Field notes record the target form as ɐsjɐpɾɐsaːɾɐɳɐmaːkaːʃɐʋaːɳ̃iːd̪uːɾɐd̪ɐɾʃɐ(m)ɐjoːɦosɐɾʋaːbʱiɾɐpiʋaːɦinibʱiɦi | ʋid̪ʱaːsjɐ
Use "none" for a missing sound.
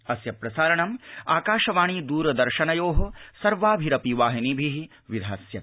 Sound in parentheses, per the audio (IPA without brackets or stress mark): n